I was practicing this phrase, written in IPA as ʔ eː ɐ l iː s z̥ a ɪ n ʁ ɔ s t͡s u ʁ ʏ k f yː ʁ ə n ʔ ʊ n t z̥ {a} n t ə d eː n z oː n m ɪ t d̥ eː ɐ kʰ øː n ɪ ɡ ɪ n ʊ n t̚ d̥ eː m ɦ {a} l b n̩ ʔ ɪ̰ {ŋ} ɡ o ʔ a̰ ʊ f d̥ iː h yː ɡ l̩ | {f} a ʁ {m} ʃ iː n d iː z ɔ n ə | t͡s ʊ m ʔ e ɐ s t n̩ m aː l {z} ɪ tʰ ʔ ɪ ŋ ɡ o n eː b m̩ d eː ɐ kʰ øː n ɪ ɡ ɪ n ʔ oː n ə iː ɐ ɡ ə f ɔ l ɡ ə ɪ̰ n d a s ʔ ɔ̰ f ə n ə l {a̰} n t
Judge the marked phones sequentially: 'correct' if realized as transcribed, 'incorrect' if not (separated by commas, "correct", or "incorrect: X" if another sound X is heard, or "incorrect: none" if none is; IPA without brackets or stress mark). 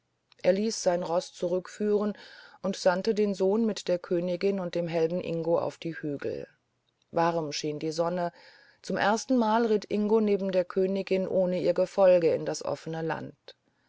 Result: correct, incorrect: ɛ, correct, incorrect: v, correct, incorrect: ʁ, correct